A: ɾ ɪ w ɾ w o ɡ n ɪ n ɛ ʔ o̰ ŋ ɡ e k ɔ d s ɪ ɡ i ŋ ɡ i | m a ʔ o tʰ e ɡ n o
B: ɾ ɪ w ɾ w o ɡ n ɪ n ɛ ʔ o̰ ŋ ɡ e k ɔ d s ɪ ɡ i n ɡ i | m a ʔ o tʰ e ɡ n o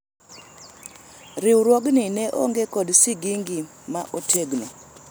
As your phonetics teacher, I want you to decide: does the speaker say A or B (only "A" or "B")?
A